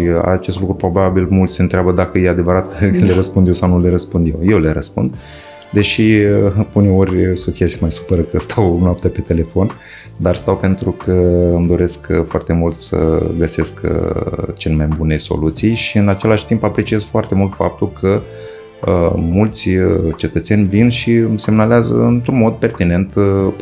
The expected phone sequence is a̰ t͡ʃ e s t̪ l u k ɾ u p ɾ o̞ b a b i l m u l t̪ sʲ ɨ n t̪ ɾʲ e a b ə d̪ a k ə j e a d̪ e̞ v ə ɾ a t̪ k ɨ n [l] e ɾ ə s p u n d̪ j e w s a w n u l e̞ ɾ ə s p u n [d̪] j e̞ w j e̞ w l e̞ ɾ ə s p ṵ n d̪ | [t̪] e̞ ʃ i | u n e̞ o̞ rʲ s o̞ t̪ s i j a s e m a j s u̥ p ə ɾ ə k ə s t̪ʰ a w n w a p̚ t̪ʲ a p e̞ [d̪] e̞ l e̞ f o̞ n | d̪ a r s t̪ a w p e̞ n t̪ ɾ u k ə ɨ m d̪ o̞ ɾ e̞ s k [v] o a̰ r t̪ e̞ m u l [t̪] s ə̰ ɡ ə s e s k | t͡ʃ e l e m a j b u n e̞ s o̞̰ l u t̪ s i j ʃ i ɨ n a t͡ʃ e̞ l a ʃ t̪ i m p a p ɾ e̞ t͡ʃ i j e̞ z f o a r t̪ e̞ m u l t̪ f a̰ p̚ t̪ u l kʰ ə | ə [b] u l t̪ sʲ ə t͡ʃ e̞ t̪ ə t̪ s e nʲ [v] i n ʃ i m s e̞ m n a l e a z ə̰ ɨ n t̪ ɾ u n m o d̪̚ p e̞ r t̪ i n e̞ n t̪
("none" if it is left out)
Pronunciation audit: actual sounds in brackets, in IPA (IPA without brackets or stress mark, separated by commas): l, d̪, d̪, t̪, f, t̪, m, v